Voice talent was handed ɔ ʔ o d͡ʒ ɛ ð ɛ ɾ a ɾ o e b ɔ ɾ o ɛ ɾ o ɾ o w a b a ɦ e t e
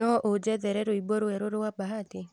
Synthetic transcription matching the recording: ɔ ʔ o d͡ʒ ɛ ð ɛ ɾ ɛ ɾ o i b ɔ ɾ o ɛ ɾ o ɾ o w a b a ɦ a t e